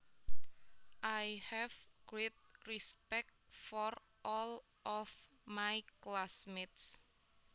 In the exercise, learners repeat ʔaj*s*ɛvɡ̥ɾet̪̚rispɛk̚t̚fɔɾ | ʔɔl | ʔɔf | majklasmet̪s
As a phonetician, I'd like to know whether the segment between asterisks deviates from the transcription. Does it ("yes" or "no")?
yes